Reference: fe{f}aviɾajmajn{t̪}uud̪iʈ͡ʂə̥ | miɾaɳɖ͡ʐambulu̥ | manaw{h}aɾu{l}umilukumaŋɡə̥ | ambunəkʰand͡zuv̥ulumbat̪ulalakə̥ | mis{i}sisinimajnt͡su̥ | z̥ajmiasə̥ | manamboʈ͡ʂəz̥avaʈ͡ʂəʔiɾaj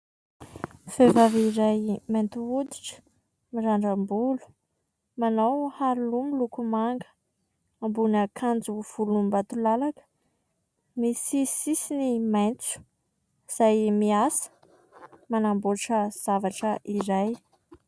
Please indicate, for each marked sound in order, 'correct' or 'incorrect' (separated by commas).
incorrect, correct, correct, correct, correct